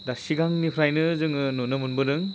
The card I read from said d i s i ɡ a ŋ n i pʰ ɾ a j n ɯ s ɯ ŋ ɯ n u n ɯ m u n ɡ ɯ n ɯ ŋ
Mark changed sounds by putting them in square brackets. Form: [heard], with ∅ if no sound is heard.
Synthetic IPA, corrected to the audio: d [a] s i ɡ a ŋ n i pʰ ɾ a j n ɯ [z] ɯ ŋ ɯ n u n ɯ m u n [b] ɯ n ɯ ŋ